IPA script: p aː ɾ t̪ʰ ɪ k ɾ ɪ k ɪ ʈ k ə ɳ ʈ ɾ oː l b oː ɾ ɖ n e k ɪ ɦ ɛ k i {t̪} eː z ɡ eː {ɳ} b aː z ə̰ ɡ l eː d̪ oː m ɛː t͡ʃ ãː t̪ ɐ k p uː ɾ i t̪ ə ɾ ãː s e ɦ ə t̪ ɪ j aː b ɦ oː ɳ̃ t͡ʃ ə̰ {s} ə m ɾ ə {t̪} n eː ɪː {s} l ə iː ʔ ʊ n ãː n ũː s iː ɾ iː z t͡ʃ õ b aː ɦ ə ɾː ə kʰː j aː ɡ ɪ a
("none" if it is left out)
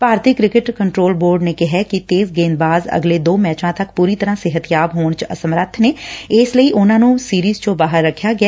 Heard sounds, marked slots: t̪, n, s, t̪ʰ, s

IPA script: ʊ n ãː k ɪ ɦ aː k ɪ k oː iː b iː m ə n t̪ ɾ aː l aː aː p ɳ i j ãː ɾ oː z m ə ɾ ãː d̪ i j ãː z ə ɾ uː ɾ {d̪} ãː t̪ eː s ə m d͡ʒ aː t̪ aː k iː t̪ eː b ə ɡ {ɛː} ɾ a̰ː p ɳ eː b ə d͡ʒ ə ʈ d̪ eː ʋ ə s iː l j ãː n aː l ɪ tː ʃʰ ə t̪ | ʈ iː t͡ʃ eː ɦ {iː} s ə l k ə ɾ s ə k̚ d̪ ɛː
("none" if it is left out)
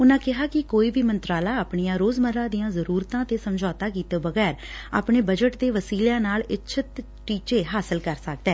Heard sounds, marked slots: t̪, ɛː, aː

